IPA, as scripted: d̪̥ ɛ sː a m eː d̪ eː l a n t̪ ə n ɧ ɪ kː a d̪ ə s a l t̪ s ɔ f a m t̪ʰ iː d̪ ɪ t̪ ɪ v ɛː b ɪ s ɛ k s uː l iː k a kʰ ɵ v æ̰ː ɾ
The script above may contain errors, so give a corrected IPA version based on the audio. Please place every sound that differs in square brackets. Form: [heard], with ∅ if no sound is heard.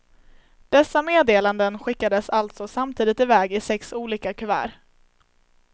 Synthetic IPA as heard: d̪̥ ɛ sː a m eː d̪ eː l a n [d̪] ə n ɧ ɪ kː a d̪ ə s a l t̪ s ɔ [s] a m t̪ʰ iː d̪ ɪ t̪ ɪ v ɛː [ɡ] ɪ s ɛ k s uː l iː k a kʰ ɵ v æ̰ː ɾ